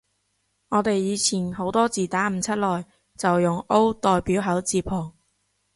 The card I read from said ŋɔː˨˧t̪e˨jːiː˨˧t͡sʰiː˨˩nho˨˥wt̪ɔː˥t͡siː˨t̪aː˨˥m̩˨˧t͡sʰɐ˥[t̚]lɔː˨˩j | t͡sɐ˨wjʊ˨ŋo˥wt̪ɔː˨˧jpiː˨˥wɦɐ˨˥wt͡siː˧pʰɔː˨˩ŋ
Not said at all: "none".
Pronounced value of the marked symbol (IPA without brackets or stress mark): t̚